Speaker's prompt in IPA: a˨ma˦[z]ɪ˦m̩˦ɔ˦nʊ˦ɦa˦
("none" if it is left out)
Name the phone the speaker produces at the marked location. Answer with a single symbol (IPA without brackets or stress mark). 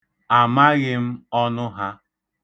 ɣ